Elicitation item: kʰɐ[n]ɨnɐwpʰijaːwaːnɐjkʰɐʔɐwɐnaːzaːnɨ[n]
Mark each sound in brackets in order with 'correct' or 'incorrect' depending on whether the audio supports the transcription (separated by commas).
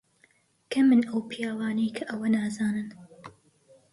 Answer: incorrect, correct